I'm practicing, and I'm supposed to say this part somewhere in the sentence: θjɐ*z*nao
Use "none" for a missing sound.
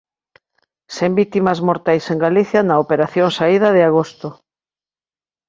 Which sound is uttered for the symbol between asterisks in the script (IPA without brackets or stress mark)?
none